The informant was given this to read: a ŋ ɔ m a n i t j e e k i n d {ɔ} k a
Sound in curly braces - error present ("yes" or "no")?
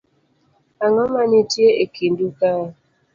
yes